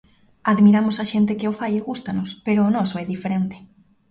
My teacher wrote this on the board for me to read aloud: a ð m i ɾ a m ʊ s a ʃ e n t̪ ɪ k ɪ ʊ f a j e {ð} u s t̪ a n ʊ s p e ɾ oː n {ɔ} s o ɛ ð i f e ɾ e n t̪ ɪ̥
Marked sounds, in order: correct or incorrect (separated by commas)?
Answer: incorrect, correct